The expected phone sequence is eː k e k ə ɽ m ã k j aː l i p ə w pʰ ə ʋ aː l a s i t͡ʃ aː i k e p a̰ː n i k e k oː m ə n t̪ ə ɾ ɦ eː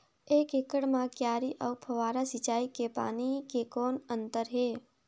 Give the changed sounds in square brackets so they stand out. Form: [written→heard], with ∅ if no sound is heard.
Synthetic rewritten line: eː k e k ə ɽ m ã k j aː [l→ɾ] i [p→ʔ] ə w pʰ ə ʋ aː [l→ɾ] a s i t͡ʃ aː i k e p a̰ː n i k e k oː [m→n] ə n t̪ ə ɾ ɦ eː